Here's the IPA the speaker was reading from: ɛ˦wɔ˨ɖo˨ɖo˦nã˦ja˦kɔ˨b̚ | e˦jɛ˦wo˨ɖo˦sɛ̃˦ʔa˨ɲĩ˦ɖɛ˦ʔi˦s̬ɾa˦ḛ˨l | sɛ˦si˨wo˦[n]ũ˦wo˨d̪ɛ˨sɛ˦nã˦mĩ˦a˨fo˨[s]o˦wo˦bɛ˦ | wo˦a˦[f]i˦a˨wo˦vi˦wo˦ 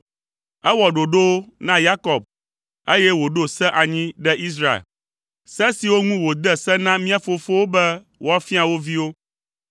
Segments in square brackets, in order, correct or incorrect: incorrect: ŋ, incorrect: f, correct

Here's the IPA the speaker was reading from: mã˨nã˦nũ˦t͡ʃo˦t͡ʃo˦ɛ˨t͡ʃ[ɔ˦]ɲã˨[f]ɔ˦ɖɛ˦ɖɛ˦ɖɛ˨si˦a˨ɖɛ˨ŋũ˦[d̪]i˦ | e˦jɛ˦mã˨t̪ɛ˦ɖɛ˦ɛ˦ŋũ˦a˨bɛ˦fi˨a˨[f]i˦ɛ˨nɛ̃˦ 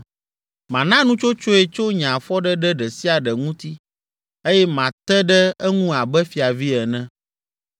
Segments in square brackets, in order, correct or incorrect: incorrect: o˦, correct, incorrect: t̪, incorrect: v

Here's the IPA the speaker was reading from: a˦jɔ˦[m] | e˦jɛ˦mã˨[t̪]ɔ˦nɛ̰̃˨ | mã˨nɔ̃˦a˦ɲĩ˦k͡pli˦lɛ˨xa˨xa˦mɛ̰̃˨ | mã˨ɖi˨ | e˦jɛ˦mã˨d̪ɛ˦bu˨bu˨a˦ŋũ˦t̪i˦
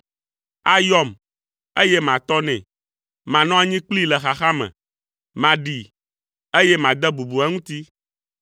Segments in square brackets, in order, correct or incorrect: correct, correct

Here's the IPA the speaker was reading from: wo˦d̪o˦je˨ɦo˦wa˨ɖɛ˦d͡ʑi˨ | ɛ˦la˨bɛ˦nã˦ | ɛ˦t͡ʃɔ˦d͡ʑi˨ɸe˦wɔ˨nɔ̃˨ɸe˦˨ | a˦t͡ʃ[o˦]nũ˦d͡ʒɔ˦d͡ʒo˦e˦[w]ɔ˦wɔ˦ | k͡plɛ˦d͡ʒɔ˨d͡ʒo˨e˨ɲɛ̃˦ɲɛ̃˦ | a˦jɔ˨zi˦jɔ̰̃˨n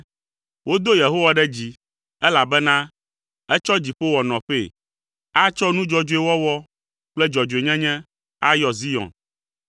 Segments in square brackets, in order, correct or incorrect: incorrect: ɔ˦, correct

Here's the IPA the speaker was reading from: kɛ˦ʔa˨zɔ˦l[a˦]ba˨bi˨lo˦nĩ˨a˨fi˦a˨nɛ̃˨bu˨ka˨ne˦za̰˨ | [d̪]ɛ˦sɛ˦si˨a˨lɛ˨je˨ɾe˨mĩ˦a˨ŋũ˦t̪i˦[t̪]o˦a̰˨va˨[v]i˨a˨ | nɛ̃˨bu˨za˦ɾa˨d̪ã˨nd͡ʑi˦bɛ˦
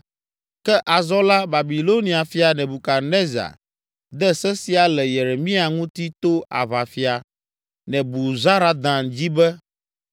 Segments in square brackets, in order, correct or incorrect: correct, correct, correct, incorrect: f

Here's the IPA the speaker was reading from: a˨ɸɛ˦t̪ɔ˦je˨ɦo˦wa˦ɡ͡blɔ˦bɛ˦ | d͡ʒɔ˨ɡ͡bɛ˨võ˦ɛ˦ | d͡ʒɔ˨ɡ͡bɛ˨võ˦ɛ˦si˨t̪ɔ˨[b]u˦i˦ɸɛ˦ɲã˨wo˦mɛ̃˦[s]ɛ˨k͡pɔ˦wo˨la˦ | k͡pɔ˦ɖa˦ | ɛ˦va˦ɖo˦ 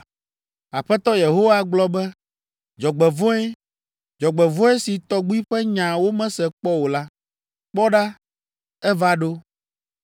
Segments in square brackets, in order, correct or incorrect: incorrect: ɡ͡b, correct

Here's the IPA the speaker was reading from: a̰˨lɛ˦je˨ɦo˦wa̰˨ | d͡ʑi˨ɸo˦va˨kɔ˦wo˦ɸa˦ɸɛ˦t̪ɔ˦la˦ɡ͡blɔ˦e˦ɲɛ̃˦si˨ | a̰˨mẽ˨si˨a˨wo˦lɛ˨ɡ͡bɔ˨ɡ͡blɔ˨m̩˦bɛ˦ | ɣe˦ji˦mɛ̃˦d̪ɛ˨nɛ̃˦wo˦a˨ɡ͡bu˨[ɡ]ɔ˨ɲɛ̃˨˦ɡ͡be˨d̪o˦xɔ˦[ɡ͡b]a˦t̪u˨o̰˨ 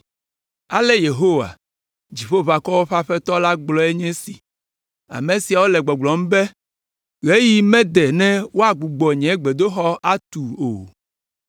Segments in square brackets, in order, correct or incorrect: incorrect: ɡ͡b, incorrect: none

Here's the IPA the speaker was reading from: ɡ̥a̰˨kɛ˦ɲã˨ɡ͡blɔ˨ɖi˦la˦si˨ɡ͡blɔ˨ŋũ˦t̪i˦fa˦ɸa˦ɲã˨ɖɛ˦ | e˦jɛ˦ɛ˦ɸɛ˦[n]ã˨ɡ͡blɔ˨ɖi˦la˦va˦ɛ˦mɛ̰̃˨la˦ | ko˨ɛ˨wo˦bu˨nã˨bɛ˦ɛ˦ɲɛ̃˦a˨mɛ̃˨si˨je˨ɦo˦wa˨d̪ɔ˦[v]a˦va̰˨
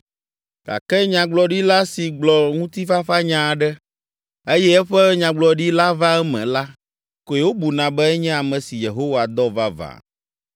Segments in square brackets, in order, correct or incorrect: incorrect: ɲ, correct

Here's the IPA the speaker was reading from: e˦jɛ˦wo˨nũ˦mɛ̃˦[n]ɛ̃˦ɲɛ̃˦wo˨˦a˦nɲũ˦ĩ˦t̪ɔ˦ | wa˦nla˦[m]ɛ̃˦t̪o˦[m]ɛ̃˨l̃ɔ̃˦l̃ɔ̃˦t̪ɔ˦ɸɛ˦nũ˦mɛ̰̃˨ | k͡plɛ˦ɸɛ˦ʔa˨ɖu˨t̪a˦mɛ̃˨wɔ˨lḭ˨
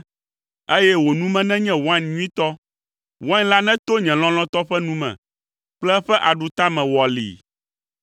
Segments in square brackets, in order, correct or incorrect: correct, incorrect: n, incorrect: ɲ

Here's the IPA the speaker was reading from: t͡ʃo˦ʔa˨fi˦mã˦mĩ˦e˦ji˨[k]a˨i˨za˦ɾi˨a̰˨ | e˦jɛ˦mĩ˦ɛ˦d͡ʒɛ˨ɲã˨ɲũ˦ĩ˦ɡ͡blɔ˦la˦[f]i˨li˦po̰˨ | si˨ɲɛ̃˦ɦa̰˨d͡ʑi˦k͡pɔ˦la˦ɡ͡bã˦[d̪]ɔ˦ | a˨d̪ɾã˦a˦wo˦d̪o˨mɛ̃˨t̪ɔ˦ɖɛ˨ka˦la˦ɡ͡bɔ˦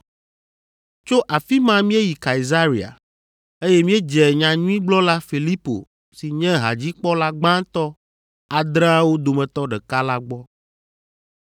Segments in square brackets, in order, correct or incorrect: correct, correct, incorrect: t̪

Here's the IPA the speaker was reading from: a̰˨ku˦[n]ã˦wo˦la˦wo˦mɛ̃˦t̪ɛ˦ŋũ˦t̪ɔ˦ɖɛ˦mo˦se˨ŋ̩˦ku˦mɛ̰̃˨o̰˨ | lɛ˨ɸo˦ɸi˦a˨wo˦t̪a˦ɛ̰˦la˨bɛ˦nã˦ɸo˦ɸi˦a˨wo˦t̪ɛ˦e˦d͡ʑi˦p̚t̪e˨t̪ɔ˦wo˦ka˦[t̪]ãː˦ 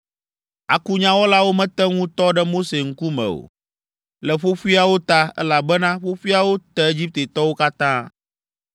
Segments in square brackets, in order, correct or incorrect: incorrect: ɲ, correct

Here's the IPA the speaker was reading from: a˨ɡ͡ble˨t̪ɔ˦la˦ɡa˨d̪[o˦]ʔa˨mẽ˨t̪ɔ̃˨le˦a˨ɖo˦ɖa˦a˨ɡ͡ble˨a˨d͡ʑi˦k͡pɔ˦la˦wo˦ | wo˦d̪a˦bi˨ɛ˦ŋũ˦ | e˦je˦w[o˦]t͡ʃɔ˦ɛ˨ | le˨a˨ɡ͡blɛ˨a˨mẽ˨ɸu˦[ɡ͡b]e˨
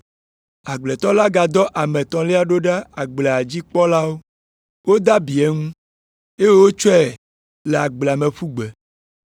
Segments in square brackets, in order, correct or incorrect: incorrect: ɔ˦, correct, correct

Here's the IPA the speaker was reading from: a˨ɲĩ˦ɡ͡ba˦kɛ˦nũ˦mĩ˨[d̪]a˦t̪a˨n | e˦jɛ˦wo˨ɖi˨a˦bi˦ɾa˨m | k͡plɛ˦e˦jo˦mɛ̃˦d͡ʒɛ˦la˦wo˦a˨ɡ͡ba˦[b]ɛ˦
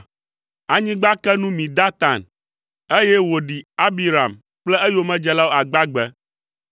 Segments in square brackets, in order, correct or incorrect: correct, incorrect: ɡ͡b

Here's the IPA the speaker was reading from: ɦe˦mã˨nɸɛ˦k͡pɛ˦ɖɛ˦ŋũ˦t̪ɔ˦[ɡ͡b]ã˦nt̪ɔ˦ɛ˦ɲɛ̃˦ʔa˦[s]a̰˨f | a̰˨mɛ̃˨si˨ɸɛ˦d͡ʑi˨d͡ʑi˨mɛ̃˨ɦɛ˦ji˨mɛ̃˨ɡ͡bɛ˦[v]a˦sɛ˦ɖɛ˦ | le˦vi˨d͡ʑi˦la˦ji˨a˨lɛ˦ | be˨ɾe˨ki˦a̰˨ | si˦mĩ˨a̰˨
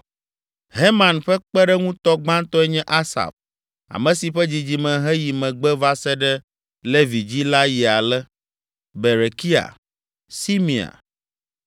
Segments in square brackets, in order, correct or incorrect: correct, correct, correct

